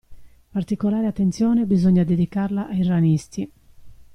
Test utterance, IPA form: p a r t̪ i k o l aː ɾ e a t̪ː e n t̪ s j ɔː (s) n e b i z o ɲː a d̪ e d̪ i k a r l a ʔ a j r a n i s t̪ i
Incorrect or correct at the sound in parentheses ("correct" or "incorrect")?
incorrect